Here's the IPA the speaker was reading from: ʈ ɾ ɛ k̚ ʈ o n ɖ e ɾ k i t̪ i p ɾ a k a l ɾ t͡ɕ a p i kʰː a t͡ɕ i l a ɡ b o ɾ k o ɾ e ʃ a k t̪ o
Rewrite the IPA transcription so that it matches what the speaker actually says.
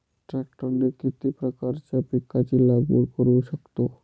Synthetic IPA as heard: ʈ ɾ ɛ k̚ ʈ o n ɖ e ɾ k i t̪ i p ɾ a k a ɾ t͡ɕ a p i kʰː a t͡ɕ i l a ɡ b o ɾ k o ɾ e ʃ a k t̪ o